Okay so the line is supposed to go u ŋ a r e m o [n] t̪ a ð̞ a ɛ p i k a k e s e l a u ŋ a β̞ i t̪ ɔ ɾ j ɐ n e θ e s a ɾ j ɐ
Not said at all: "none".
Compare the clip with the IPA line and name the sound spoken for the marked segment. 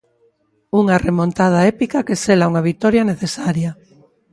n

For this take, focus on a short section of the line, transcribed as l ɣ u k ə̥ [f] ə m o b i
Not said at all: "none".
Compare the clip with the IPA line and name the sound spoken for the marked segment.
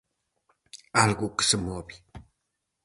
s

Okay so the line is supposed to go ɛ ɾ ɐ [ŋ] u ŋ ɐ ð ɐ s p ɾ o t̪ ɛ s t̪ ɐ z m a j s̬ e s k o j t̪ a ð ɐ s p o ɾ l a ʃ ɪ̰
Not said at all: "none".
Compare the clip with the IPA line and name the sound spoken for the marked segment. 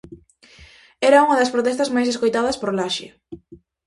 none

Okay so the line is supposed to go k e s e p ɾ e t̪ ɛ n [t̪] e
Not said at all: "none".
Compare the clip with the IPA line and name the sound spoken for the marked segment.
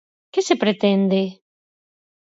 d̪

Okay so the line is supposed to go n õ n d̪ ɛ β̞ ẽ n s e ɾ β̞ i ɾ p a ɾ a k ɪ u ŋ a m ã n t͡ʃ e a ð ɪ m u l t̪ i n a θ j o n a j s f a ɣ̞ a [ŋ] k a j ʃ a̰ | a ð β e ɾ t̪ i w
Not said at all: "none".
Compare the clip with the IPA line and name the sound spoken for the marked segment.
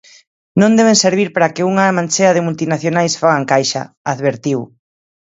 ŋ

